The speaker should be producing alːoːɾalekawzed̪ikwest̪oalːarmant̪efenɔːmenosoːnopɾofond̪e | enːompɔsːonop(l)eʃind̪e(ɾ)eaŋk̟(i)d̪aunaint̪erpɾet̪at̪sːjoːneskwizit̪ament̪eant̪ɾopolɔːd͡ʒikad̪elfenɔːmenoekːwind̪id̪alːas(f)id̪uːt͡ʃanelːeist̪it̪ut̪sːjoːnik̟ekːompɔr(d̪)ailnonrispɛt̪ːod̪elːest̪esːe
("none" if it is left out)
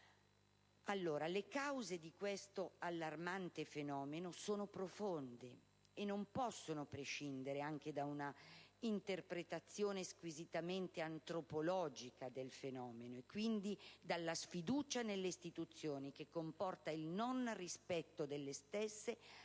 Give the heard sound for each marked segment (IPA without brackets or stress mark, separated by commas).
ɾ, ɾ, e, f, t̪